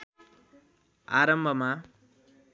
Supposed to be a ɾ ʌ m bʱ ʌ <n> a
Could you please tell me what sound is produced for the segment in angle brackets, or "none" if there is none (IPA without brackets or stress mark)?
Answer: m